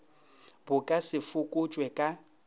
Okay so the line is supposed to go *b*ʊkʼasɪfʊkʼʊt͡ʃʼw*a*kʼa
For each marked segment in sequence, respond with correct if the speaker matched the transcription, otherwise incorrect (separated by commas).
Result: correct, incorrect